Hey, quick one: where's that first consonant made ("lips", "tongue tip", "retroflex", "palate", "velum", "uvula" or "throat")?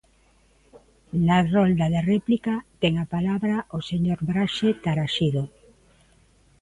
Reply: tongue tip